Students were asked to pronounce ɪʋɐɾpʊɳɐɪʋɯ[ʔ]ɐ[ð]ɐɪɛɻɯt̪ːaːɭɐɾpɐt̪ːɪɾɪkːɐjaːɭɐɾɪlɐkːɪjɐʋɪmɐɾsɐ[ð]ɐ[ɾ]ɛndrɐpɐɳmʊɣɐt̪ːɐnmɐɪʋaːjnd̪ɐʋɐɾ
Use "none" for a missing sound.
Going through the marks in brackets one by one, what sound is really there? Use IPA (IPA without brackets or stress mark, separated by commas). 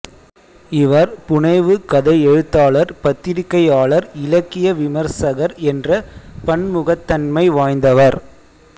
k, ð, ɣ, ɾ